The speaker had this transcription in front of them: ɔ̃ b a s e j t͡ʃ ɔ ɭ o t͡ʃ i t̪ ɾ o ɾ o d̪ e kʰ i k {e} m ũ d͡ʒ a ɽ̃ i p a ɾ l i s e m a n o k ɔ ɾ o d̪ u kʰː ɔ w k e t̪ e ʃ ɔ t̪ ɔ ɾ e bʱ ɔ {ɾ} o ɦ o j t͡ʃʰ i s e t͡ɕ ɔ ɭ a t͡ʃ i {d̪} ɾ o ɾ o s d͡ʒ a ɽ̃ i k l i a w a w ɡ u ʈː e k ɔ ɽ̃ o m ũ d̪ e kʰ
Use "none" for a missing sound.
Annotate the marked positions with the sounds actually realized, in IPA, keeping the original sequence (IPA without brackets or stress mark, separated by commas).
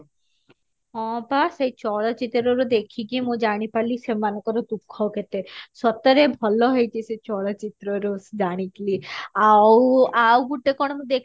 i, l, t̪